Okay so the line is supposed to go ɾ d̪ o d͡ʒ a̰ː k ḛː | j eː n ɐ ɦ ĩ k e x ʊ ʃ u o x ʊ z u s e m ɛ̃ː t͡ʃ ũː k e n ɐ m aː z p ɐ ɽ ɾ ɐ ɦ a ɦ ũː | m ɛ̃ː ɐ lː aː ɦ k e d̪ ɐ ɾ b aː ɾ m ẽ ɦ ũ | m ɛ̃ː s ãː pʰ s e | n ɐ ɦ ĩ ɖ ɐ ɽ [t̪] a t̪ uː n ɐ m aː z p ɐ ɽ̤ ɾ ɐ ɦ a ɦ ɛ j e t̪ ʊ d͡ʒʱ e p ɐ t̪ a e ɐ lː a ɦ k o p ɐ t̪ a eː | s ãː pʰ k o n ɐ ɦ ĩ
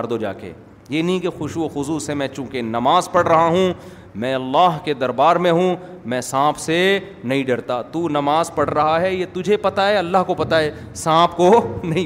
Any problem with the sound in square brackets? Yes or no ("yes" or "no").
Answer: no